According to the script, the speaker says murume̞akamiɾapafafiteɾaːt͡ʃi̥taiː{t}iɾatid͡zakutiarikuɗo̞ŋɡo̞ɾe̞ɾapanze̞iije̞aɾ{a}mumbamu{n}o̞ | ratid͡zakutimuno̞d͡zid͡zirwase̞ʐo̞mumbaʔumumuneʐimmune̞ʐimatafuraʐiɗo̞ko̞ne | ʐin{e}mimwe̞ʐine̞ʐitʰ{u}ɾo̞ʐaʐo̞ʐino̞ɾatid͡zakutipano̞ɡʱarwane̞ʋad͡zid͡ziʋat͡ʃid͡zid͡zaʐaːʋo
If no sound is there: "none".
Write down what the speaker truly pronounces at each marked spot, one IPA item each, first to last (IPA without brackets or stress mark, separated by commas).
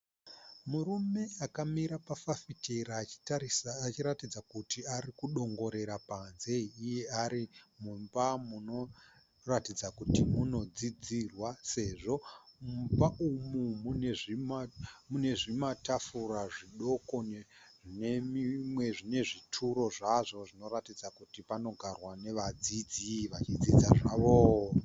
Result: t͡ʃ, i, n, e, u